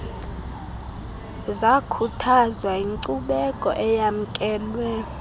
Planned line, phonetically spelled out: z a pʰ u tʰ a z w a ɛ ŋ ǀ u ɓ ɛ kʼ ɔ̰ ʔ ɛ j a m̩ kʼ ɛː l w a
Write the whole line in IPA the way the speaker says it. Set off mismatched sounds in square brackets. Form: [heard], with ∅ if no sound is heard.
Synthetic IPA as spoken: z a [kʰ] u tʰ a z w a [i] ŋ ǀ u ɓ ɛ kʼ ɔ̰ ʔ ɛ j a m̩ kʼ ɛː l w [ɛ]